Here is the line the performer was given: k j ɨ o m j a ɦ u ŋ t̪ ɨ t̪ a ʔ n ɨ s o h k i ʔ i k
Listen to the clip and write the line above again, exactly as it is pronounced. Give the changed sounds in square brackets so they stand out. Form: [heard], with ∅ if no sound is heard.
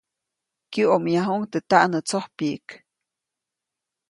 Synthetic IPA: k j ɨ o m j a ɦ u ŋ t̪ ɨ t̪ a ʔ n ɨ [t͡s] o h [p] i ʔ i k